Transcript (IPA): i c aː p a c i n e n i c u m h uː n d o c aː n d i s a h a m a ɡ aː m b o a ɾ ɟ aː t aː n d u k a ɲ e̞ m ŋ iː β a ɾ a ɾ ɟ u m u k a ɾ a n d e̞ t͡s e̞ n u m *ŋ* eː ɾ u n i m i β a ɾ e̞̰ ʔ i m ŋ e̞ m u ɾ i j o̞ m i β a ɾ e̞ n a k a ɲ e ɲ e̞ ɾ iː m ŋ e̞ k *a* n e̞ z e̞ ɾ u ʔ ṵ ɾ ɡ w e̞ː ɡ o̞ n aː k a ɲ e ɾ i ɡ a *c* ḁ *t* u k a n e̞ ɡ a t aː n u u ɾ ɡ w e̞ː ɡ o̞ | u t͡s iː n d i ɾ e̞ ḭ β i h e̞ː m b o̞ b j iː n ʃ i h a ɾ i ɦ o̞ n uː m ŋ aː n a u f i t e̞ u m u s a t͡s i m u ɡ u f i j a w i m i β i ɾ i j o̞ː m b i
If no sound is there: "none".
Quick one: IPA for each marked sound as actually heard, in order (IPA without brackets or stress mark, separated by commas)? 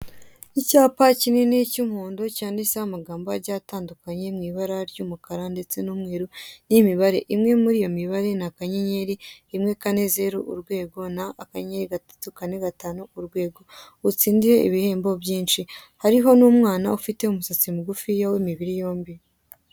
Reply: ŋ, a, t, t